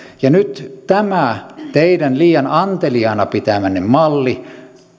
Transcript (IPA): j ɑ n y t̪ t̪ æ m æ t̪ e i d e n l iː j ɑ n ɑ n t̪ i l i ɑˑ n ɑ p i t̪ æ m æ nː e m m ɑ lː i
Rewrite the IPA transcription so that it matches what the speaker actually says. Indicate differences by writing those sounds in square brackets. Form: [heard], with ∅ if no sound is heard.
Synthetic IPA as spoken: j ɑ n y t̪ t̪ æ m æ t̪ e i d [æ] n l iː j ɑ n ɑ n t̪ [e] l i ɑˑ n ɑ p i t̪ æ m æ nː e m m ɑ lː i

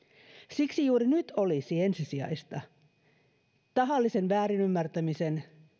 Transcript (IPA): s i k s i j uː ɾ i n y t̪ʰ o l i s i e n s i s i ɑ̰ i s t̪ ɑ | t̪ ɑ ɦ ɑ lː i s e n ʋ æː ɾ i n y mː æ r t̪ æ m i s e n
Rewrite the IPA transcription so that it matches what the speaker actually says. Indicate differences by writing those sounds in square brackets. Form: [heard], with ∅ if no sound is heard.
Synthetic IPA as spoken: s i k s i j uː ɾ i n y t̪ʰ o l i s i e n s i s i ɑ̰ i s t̪ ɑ | t̪ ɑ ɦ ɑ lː i s e n ʋ æː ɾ i n y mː æ r t̪ æ m i s e n

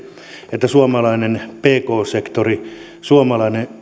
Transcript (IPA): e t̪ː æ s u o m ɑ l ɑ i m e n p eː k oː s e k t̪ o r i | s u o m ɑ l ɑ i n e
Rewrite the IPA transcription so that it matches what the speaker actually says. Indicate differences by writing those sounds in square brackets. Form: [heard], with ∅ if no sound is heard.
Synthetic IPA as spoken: e t̪ː æ s u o m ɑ l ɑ i [n] e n p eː k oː s e k t̪ o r i | s u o m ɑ l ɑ i n e

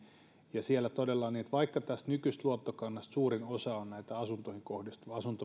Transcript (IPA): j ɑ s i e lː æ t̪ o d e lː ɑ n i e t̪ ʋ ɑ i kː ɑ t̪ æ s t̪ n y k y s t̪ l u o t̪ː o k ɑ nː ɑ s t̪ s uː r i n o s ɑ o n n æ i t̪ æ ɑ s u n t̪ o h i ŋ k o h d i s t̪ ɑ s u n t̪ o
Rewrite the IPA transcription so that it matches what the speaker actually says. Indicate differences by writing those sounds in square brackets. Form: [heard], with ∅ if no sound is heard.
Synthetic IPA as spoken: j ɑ s i e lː æ t̪ o d e lː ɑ n i e t̪ ʋ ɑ i kː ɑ t̪ æ s t̪ n y k y s t̪ l u o t̪ː o k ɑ nː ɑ s t̪ s uː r i n o s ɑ o n n æ i t̪ æ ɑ s u n t̪ o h i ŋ k o h d i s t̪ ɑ s u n t̪ o

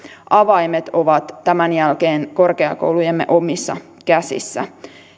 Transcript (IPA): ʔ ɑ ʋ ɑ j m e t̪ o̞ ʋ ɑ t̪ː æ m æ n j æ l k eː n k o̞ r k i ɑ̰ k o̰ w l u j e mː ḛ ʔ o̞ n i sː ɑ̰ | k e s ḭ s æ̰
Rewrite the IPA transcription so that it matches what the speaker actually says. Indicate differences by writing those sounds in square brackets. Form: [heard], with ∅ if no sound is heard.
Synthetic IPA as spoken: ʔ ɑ ʋ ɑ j m e t̪ o̞ ʋ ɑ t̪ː æ m æ n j æ l k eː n k o̞ r k [e] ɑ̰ k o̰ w l u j e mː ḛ ʔ o̞ [m] i sː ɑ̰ | k [æ] s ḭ [sː] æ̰

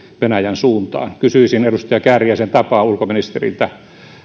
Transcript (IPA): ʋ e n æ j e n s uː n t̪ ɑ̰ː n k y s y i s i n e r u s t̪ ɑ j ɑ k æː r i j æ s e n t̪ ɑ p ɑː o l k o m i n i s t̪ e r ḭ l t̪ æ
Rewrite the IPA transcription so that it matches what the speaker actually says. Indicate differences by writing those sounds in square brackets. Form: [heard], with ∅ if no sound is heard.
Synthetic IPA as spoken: ʋ e n æ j [æ] n s uː n t̪ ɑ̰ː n k y s y i s i n e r u s t̪ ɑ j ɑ k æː r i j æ s e n t̪ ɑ p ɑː [u] l k o m i n i s t̪ e r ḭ l t̪ æ

